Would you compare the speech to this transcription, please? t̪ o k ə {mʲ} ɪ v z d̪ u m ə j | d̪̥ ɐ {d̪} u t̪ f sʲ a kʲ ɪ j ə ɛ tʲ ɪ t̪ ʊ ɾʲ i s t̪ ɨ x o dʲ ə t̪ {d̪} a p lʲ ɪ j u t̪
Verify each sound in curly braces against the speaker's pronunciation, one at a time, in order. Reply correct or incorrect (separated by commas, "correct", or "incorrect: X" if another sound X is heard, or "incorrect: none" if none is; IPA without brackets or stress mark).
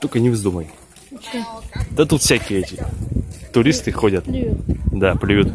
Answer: incorrect: nʲ, incorrect: t̪, correct